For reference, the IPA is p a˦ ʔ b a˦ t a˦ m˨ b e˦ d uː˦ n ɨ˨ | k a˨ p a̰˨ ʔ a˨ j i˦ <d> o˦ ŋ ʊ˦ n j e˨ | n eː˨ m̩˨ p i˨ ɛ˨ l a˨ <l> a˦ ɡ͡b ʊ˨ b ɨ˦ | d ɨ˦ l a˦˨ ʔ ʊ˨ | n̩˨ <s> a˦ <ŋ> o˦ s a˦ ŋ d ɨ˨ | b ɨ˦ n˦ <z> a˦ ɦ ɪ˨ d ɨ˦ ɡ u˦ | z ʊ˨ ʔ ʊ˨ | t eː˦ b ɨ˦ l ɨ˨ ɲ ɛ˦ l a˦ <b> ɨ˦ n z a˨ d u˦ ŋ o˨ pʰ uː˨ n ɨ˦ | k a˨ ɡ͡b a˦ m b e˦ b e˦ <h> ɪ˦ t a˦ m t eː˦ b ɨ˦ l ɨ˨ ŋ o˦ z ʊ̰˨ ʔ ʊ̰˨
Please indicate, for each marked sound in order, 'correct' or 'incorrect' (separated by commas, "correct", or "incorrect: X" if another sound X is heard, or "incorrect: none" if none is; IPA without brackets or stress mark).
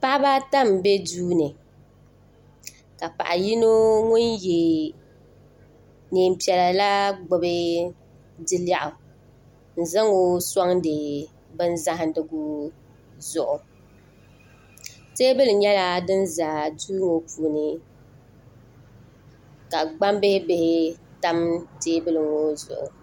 incorrect: n, correct, incorrect: z, correct, correct, incorrect: d, correct